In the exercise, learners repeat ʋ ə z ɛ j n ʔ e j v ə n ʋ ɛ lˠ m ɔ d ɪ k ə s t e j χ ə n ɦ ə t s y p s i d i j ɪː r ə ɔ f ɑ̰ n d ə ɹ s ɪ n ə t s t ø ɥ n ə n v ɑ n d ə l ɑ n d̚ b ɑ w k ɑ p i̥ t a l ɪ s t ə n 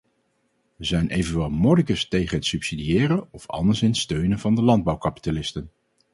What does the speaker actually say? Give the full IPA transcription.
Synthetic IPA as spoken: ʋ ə z ɛ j n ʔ e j v ə n ʋ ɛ lˠ m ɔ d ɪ k ə s t e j χ ə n ɦ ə t s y p s i d i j ɪː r ə ɔ f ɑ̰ n d ə ɹ s ɪ n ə t s t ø ɥ n ə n v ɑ n d ə l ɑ n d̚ b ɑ w k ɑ p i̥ t a l ɪ s t ə n